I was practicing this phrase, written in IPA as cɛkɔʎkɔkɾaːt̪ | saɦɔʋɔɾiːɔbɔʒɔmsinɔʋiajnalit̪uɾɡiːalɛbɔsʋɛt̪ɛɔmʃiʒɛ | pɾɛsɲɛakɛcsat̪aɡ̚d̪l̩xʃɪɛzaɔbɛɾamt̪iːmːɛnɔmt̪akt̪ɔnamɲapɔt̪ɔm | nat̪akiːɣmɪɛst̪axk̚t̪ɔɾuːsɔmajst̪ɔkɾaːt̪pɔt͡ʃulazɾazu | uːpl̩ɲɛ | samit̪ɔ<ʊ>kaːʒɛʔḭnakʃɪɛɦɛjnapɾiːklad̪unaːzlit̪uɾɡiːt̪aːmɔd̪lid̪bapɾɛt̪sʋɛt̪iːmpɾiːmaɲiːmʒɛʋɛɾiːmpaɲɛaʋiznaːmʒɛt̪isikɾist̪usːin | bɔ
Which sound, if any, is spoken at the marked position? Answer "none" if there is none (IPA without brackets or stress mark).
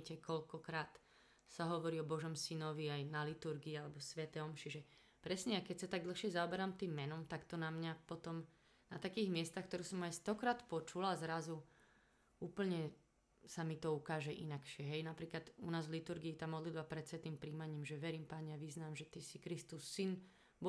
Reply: u